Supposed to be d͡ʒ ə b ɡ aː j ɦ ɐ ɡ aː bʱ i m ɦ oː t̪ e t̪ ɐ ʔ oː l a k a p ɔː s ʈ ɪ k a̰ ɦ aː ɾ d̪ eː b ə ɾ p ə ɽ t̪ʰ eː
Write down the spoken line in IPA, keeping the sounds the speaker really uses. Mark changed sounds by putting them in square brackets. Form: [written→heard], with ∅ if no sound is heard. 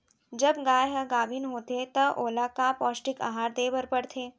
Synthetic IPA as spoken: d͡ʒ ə b ɡ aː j ɦ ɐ ɡ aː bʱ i [m→n] ɦ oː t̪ e t̪ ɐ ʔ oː l a k a p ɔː s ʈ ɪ k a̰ ɦ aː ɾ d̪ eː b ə ɾ p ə ɽ t̪ʰ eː